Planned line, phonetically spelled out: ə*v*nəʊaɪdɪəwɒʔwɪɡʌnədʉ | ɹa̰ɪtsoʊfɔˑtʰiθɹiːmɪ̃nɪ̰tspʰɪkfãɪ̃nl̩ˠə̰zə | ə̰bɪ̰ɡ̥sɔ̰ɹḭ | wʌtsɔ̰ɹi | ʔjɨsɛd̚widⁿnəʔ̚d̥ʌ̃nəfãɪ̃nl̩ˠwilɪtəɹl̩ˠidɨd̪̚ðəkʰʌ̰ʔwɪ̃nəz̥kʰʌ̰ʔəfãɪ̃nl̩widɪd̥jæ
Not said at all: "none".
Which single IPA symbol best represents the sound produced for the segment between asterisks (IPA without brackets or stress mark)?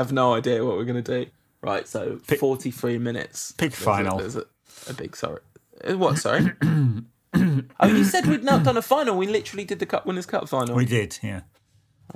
v